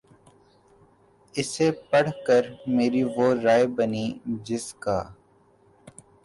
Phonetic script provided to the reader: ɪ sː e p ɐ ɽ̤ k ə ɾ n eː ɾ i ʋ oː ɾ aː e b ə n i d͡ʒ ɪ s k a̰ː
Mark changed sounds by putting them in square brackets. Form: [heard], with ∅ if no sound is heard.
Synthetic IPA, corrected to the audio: ɪ [s] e p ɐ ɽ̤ k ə ɾ [m] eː ɾ i ʋ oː ɾ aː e b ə n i d͡ʒ ɪ s k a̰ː